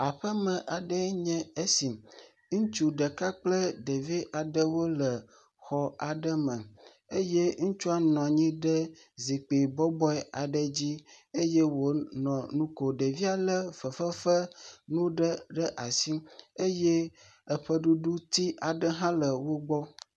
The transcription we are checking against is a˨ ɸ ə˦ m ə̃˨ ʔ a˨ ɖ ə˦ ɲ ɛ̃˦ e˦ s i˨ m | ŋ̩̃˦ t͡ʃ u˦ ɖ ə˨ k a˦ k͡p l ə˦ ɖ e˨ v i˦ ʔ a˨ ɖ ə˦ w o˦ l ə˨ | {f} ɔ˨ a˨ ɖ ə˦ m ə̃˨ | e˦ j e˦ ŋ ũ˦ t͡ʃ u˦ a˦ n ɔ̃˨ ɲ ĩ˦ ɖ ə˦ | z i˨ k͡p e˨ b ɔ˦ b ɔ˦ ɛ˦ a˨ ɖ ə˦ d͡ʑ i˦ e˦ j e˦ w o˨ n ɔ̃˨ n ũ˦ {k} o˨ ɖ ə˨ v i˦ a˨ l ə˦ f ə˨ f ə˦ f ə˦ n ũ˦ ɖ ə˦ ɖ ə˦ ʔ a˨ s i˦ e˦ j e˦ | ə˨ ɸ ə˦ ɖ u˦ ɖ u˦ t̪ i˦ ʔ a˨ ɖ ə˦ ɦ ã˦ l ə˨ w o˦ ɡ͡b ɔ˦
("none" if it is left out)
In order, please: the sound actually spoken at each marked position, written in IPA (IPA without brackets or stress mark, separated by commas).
x, k